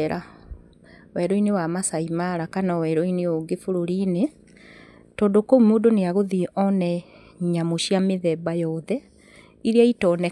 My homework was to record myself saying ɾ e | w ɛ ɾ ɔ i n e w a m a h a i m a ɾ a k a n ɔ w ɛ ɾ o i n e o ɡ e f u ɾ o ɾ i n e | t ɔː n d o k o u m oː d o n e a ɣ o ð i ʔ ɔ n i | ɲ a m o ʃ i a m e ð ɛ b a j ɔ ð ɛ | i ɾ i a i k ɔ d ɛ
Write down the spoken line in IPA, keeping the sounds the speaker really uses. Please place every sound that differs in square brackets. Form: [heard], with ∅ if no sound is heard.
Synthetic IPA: ɾ [a] | w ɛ ɾ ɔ i n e w a m a [s] a i m a ɾ a k a n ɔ w ɛ ɾ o i n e o ɡ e f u ɾ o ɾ i n e | t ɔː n d o k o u m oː d o n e a ɣ o ð i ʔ ɔ n [ɛ] | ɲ a m o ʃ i a m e ð ɛ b a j ɔ ð ɛ | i ɾ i a i [t] ɔ [n] ɛ

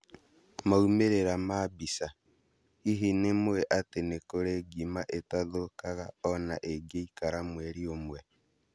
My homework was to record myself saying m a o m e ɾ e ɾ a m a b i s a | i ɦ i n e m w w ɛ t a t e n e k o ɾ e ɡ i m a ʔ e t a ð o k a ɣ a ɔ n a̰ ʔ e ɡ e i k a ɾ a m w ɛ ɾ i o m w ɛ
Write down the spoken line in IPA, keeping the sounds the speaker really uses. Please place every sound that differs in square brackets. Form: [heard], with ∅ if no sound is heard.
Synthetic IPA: m a [u] m e ɾ e ɾ a m a b i s a | i ɦ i n e m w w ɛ [ʔ] a t e n e k o ɾ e ɡ i m a ʔ e t a ð o k a ɣ a ɔ n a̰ ʔ e ɡ e i k a ɾ a m w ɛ ɾ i o m w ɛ

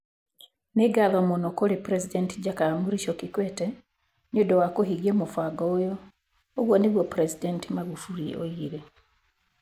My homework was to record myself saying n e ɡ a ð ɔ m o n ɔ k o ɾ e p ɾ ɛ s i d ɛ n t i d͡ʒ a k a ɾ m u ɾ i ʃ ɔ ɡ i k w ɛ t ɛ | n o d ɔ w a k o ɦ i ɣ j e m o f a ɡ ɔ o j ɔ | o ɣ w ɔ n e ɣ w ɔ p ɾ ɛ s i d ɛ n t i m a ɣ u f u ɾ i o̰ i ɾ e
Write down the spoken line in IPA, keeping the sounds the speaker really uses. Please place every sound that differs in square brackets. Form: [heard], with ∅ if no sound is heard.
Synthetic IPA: n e ɡ a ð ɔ m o n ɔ k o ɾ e p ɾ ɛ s i d ɛ n t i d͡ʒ a k a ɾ m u ɾ i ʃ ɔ [k] i k w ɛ t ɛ | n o d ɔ w a k o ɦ i ɣ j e m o f a ɡ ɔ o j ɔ | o ɣ w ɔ n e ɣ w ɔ p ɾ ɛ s i d ɛ n t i m a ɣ u f u ɾ i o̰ i ɾ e

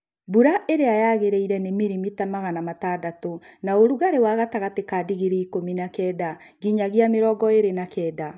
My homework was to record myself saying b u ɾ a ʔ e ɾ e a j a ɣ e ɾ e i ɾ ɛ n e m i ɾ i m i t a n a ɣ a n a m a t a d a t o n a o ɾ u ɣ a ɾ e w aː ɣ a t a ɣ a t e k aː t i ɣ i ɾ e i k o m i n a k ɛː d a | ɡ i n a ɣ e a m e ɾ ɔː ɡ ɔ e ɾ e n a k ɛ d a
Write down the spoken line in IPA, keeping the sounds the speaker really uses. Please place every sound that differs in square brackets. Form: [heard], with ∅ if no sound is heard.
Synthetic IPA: b u ɾ a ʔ e ɾ e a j a ɣ e ɾ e i ɾ ɛ n e m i ɾ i m i t a [m] a ɣ a n a m a t a d a t o n a o ɾ u ɣ a ɾ e w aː ɣ a t a ɣ a t e k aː [d] i ɣ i ɾ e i k o m i n a k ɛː d a | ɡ i [ɲ] a ɣ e a m e ɾ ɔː ɡ ɔ e ɾ e n a k ɛ d a

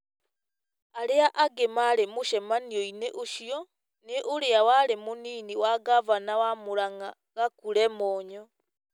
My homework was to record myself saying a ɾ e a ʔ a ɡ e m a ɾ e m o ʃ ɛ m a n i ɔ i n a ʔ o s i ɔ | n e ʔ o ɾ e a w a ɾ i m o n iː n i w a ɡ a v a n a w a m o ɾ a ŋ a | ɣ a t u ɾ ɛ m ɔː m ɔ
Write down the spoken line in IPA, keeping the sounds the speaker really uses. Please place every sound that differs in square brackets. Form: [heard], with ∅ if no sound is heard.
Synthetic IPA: a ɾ e a ʔ a ɡ e m a ɾ e m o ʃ ɛ m a n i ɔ i n [e] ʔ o [ʃ] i ɔ | n e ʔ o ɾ e a w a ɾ [e] m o n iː n i w a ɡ a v a n a w a m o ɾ a ŋ a | ɣ a [k] u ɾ ɛ m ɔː [ɲ] ɔ

